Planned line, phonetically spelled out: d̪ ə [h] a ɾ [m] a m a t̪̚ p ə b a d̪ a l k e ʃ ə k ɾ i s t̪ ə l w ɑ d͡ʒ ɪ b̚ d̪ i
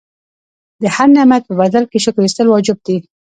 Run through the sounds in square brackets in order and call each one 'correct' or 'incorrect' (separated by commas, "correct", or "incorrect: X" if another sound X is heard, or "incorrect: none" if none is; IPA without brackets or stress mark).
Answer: correct, incorrect: n